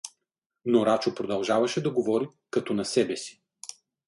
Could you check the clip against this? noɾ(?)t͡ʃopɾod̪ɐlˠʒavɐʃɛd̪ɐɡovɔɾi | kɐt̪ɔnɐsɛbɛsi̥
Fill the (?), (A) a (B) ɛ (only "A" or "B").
A